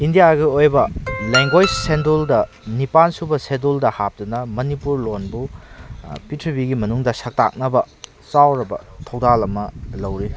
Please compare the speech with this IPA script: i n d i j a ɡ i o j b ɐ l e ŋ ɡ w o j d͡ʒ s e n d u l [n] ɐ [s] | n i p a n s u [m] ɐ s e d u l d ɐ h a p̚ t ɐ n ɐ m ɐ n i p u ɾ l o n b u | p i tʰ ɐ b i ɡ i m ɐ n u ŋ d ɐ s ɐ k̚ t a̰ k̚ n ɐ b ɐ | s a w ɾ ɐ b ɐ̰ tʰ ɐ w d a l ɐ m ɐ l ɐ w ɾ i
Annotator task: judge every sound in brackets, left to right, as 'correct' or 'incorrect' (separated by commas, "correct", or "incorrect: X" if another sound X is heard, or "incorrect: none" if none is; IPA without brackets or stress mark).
incorrect: d, incorrect: none, incorrect: b